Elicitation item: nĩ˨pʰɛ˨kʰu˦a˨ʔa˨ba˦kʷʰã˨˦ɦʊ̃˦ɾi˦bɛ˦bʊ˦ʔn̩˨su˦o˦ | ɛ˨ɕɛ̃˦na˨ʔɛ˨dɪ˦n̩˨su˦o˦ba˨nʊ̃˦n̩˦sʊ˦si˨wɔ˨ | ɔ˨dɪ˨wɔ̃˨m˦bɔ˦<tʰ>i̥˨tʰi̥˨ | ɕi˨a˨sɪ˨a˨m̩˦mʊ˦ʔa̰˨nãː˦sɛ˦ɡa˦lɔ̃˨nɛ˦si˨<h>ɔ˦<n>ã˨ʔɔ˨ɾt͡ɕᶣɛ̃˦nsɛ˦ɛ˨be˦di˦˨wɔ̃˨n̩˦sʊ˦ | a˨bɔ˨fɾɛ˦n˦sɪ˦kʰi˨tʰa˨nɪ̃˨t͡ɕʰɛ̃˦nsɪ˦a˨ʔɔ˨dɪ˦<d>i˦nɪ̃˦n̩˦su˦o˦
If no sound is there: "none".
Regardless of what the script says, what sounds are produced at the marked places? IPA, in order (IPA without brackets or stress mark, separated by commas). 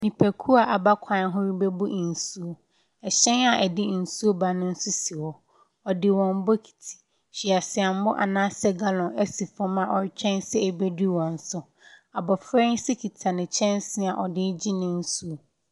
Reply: kʰ, f, m, d͡ʑ